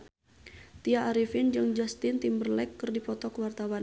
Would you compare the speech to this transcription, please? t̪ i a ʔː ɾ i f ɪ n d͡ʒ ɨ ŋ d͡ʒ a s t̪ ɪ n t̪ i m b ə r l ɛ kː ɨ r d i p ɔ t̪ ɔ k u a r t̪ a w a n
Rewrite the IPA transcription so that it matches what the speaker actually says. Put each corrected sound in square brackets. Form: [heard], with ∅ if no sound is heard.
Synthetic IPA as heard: t̪ i a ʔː ɾ i f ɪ n d͡ʒ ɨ ŋ d͡ʒ a s t̪ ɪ n t̪ i m b ə r l ɛ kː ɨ r d i p ɔ t̪ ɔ k [w] a r t̪ a w a n